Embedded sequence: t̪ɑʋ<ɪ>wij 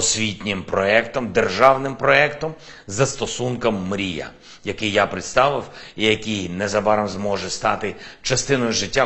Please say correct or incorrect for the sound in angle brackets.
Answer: correct